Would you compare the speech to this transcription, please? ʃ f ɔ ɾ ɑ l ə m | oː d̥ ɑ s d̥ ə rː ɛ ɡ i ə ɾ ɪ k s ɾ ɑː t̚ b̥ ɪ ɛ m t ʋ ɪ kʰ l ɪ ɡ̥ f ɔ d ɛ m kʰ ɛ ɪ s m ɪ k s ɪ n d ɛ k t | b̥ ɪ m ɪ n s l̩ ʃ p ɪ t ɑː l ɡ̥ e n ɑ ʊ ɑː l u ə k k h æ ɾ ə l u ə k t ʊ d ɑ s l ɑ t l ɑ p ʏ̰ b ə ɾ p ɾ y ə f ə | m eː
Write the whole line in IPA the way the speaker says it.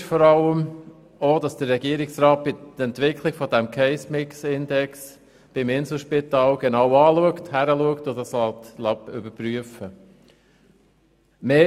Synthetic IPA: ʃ f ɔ ɾ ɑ l ə m | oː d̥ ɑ s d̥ ə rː ɛ ɡ i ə ɾ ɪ k s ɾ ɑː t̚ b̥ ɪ ɛ n t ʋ ɪ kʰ l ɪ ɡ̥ f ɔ d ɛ m kʰ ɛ ɪ s m ɪ k s ɪ n d ɛ k s | b̥ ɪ m ɪ n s l̩ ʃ p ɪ t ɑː l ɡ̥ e n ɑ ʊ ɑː l u ə k t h æ ɾ ə l u ə k t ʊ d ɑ s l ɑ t l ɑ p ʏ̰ b ə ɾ p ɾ y ə f ə | m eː

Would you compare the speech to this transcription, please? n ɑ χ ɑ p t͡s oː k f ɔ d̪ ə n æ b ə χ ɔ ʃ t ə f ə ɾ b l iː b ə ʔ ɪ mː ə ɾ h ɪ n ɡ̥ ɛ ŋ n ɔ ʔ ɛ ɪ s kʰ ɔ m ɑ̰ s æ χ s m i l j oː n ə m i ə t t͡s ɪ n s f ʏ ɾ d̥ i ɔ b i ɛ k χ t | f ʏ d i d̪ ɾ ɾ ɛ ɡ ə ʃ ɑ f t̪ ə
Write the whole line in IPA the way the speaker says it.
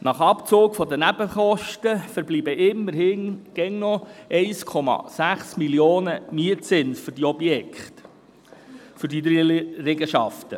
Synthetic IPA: n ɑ χ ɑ p t͡s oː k f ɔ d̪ ə n æ b ə χ ɔ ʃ t ə f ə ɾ b l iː b ə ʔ ɪ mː ə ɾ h ɪ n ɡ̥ ɛ ŋ n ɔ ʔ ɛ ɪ s kʰ ɔ m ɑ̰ s æ χ s m i l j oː n ə m i ə t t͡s ɪ n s f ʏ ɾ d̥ i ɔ b j ɛ k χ t | f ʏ d i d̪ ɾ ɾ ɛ ɡ ə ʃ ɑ f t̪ ə

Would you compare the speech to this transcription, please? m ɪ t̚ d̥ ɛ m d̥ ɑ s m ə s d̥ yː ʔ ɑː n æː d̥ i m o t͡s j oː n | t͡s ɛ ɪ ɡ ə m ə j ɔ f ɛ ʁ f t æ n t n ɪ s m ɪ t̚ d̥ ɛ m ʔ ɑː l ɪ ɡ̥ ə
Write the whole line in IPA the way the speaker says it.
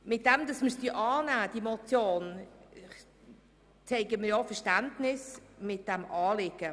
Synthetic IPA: m ɪ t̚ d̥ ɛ m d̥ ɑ s m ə s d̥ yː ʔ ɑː n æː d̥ i m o t͡s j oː n | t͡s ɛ ɪ ɡ ə m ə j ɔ f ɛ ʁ ʃ t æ n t n ɪ s m ɪ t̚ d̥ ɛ m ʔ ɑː l ɪ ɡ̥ ə

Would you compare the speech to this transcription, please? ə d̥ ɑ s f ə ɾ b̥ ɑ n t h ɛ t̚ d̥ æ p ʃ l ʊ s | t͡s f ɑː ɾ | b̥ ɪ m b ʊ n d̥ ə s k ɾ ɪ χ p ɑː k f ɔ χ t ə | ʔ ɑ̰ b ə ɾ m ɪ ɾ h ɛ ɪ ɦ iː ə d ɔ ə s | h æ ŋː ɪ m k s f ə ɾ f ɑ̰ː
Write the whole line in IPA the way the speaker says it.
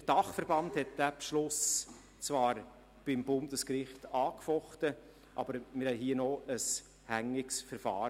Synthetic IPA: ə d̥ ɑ χ f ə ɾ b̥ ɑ n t h ɛ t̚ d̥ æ p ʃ l ʊ s | t͡s v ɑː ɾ | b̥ ɪ m b ʊ n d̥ ə s k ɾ ɪ χ t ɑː k f ɔ χ t ə | ʔ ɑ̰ b ə ɾ m ɪ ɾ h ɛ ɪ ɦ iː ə n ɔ ə s | h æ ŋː ɪ k s f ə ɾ f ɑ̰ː

